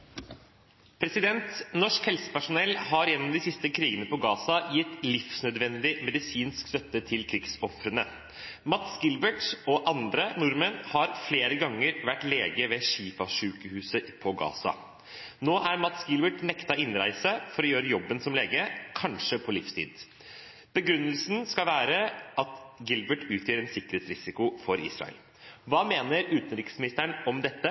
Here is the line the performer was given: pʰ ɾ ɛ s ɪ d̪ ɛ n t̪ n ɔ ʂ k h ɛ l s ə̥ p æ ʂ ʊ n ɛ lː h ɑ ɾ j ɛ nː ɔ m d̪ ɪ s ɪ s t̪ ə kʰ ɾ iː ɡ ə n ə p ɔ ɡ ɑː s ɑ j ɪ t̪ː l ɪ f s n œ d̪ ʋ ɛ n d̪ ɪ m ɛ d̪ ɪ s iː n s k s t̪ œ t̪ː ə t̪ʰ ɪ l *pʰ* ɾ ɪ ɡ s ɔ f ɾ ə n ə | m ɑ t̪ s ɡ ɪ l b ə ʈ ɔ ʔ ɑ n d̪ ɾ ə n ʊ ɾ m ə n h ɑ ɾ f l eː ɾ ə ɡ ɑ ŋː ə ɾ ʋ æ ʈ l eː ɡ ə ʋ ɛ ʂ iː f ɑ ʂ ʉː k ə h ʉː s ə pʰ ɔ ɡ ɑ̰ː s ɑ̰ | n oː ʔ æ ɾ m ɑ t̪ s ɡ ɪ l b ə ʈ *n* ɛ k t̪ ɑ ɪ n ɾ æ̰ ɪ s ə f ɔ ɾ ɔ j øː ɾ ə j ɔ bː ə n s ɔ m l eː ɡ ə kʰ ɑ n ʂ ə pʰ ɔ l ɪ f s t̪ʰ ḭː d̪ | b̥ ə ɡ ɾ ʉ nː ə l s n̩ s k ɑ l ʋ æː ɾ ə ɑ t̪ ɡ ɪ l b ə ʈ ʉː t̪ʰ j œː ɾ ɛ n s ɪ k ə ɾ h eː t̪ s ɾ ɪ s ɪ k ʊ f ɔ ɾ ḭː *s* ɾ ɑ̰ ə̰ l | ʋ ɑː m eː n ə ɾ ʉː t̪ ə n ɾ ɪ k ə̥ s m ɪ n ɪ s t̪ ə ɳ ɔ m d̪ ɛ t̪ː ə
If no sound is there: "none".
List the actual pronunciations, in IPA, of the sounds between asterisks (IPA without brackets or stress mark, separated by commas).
kʰ, n, s